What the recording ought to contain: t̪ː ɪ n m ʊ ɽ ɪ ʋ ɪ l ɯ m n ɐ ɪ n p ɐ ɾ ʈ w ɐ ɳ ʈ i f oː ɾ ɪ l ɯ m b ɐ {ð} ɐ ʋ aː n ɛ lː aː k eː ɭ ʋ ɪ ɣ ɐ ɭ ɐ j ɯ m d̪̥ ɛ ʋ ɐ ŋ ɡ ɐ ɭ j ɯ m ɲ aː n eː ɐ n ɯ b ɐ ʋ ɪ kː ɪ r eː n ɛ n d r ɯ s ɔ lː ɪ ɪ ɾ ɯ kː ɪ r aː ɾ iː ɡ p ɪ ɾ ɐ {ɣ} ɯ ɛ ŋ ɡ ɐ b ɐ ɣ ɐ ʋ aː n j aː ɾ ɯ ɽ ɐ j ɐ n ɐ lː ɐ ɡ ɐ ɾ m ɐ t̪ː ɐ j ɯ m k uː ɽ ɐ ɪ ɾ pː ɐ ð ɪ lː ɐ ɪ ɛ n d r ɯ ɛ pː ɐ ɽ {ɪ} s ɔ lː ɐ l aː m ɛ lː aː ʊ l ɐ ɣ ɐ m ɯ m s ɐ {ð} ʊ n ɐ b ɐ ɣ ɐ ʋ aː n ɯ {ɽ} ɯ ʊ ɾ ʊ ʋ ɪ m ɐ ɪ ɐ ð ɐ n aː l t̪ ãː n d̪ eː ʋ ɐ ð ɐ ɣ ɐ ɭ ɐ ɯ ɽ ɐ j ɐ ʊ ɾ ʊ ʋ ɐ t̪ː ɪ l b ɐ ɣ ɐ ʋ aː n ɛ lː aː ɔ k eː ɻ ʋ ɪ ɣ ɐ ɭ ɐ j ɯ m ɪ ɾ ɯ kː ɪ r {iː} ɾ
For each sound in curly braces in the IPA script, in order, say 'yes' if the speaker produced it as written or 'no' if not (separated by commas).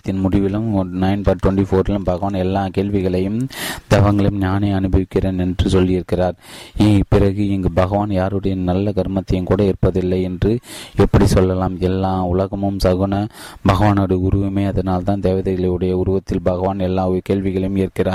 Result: no, yes, no, no, yes, no